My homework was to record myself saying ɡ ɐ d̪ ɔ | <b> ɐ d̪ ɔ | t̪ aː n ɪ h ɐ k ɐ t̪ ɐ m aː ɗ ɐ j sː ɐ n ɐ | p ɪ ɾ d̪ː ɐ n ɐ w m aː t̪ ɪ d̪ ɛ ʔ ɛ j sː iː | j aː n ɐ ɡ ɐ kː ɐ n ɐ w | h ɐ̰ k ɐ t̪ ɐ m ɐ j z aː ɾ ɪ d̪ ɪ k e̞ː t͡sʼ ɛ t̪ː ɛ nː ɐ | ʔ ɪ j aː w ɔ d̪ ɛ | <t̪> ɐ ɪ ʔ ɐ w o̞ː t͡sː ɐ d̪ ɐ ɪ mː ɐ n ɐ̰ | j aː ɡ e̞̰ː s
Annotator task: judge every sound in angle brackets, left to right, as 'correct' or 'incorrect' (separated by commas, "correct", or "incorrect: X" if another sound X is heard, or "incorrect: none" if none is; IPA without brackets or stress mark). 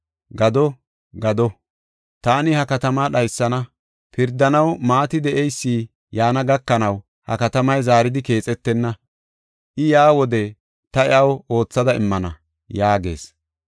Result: incorrect: ɡ, correct